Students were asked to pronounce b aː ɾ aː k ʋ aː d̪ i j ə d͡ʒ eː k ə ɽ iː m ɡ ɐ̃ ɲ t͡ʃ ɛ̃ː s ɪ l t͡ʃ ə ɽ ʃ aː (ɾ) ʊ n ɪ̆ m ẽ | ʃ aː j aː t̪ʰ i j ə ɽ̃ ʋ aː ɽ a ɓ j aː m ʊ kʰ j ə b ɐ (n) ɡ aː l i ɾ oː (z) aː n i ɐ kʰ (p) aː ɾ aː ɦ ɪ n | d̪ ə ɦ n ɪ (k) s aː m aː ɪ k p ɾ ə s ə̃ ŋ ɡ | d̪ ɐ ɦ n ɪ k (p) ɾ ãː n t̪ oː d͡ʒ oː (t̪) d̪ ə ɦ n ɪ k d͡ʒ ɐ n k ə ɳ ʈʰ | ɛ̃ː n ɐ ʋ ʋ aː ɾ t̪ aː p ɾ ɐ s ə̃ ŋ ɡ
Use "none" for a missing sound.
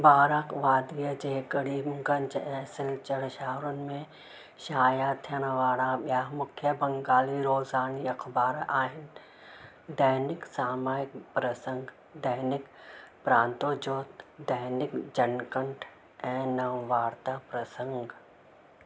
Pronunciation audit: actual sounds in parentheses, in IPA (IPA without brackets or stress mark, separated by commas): ɾ, ŋ, z, b, k, p, t̪